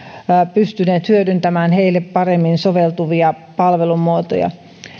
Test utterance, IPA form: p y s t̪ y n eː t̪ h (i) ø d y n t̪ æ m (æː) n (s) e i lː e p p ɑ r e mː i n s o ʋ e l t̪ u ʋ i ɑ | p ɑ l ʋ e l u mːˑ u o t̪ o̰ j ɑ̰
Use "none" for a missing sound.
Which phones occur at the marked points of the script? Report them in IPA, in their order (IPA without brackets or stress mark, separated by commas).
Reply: y, æː, h